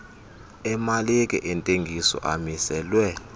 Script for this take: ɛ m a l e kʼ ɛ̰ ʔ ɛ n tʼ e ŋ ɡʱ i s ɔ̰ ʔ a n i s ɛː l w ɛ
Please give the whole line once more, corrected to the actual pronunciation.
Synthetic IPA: ɛ m a l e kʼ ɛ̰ ʔ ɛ n tʼ e ŋ ɡʱ i s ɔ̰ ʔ a m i s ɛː l w ɛ